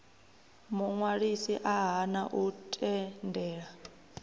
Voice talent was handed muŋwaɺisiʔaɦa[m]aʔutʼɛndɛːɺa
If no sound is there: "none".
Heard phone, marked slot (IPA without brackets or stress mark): n